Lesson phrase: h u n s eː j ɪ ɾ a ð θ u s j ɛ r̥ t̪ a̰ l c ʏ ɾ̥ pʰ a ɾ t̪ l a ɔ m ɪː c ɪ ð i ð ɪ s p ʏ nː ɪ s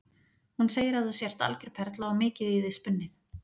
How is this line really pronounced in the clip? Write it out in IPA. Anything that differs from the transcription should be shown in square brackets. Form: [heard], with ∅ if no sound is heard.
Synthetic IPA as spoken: h u n s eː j ɪ ɾ a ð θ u s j ɛ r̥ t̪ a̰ l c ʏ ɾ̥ pʰ [ɛ] ɾ t̪ l a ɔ m ɪː c ɪ ð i ð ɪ s p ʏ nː ɪ [θ]